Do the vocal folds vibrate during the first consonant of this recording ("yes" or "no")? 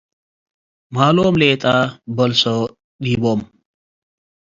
yes